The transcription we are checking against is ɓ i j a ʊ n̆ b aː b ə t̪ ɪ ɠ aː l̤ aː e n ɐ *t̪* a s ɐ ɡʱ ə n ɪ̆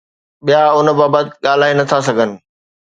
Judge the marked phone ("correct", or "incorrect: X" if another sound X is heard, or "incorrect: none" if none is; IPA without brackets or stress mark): incorrect: t̪ʰ